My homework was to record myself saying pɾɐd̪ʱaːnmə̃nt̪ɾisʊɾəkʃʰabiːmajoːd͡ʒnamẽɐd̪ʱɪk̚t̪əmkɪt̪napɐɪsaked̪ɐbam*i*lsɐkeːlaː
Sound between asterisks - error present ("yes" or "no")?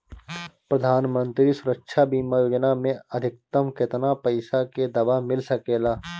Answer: yes